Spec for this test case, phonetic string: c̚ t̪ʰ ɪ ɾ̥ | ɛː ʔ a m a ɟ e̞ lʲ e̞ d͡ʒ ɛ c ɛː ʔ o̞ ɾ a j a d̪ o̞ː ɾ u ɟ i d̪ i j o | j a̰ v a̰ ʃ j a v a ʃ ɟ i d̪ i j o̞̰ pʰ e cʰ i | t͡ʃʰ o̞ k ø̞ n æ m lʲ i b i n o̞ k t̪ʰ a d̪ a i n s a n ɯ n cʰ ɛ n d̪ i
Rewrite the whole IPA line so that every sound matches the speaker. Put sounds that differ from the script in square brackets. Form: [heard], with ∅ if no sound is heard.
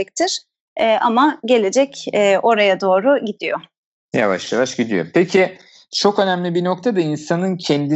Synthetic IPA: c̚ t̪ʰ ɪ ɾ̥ | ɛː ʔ a m a ɟ e̞ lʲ e̞ d͡ʒ ɛ c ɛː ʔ o̞ ɾ a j a d̪ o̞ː ɾ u ɟ i d̪ i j o | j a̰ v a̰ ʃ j a v a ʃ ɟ i d̪ i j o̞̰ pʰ e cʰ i | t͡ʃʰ o̞ k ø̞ n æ m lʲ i b i n o̞ k t̪ʰ a d̪ a i n s a n ɯ n cʰ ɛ n d̪ i